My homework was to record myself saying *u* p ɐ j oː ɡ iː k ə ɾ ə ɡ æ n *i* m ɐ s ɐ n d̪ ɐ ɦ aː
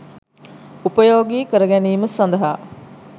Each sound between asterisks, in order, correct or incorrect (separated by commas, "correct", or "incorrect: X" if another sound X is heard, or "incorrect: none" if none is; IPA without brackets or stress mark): correct, incorrect: iː